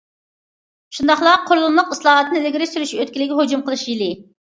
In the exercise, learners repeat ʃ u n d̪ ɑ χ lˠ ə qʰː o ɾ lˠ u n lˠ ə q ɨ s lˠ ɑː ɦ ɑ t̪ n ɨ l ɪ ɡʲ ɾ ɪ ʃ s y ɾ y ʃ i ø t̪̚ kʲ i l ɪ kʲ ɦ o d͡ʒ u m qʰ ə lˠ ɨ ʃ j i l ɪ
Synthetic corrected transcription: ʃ u n d̪ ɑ χ lˠ ɑ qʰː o ɾ lˠ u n lˠ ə q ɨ s lˠ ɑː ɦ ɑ t̪ n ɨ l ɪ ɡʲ ɾ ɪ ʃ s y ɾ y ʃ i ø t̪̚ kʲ i l ɪ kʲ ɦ o d͡ʒ u m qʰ ə lˠ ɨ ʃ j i l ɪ